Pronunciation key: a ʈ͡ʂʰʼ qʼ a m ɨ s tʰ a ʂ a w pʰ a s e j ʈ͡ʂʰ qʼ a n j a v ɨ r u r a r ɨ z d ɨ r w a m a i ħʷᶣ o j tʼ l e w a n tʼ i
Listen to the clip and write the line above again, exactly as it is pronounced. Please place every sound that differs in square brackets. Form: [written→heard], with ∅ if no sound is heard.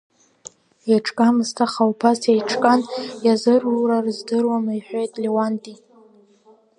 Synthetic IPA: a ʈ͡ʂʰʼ [qʼ→kʼ] a m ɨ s tʰ a [ʂ→χ] a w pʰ a s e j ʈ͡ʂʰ [qʼ→kʼ] a n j a [v→z] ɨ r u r a r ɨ z d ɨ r w a m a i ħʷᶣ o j tʼ l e w a n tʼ i